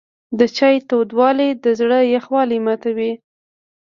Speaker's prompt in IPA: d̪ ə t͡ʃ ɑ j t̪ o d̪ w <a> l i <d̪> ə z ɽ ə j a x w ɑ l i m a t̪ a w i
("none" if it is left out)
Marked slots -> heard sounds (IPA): ɑ, d̪

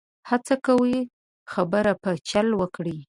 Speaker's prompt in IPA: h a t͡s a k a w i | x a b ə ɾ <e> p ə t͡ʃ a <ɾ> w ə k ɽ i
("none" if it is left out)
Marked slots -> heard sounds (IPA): a, l

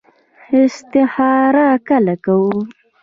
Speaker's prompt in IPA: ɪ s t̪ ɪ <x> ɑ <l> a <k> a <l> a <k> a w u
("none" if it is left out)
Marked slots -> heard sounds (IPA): h, ɾ, k, l, k

